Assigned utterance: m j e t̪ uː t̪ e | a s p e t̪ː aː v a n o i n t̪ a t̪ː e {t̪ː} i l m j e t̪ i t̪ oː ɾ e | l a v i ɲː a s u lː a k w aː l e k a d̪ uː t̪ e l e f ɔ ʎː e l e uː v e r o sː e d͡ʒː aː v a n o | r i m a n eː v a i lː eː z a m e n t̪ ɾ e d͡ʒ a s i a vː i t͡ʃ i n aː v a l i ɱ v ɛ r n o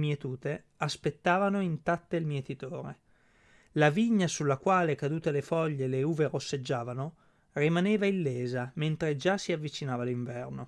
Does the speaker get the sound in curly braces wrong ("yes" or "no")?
yes